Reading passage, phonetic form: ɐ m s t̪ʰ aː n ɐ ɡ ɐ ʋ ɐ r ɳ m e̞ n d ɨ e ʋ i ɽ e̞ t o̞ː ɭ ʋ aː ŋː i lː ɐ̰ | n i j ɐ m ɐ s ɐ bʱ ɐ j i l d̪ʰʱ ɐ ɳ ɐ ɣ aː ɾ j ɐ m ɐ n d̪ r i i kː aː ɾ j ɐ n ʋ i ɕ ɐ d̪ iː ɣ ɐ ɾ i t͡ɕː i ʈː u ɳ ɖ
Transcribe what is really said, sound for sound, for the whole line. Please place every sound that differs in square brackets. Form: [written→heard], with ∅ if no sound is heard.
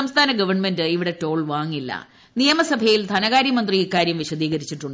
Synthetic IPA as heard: ɐ m s t̪ʰ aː n ɐ ɡ ɐ ʋ ɐ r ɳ m e̞ n d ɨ [e→i] ʋ i ɽ e̞ t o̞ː ɭ ʋ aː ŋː i lː ɐ̰ | n i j ɐ m ɐ s ɐ bʱ ɐ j i l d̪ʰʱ ɐ [ɳ→n] ɐ ɣ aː ɾ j ɐ m ɐ n d̪ r i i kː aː ɾ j ɐ [n→m] ʋ i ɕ ɐ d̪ iː ɣ ɐ ɾ i t͡ɕː i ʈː u ɳ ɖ